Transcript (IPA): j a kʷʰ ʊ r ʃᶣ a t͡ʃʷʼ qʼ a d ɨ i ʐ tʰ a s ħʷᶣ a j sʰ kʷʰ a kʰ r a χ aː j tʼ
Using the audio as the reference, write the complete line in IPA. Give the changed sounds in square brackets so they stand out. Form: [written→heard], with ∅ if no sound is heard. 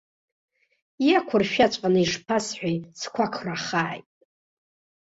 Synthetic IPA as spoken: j a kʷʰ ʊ r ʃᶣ a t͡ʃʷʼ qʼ a [d→n] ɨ i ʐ [tʰ→pʰ] a s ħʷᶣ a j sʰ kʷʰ a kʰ r a χ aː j tʼ